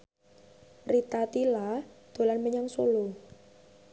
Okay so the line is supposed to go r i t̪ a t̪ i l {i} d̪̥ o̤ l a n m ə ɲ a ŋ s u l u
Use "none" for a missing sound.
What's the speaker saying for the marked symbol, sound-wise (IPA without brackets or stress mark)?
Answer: a